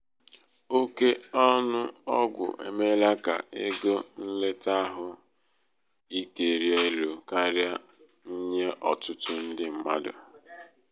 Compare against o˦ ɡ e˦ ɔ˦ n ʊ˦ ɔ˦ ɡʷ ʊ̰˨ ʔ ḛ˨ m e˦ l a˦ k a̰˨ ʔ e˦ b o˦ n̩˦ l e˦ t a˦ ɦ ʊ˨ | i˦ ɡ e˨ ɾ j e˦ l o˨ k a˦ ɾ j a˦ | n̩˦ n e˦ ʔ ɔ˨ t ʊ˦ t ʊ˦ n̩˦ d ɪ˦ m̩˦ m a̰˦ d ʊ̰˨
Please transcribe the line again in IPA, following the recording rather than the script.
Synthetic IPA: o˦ k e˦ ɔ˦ n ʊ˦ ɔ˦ ɡʷ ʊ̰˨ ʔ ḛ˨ m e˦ l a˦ k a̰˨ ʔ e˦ ɡ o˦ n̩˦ l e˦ t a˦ ɦ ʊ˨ | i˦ k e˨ ɾ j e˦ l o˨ k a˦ ɾ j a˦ | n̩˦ ɲ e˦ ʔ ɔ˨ t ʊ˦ t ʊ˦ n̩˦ d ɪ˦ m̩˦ m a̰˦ d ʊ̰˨